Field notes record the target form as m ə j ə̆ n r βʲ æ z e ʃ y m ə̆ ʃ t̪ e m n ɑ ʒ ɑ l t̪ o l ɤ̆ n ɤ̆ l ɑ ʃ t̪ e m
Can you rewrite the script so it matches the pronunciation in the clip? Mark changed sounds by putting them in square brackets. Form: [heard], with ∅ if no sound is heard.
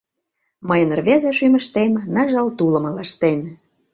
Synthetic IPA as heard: m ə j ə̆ n r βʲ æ z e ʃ y m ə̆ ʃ t̪ e m n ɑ ʒ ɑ l t̪ [u] l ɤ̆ [m] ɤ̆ l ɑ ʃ t̪ e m